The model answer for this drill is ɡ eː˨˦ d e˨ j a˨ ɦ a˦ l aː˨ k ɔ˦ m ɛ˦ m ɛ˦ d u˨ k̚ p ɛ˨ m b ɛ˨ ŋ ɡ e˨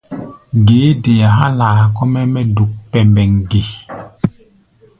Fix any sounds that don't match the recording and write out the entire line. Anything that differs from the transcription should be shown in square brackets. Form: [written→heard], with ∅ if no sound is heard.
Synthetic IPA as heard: ɡ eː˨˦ d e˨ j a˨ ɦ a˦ l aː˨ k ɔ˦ m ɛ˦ m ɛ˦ d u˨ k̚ p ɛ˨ m b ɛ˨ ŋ ɡ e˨